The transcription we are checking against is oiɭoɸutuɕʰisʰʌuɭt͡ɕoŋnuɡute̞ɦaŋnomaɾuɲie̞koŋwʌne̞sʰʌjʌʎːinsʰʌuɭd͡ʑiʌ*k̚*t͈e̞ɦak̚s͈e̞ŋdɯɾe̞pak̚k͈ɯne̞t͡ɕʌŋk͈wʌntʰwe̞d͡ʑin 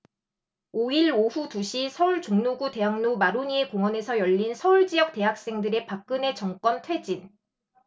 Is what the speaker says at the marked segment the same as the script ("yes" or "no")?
yes